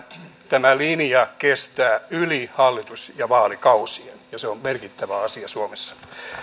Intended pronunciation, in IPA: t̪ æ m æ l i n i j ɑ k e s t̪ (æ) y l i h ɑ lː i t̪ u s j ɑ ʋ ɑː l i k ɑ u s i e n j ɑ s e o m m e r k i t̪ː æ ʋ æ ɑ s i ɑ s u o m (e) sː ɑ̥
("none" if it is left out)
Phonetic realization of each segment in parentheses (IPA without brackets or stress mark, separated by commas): æː, e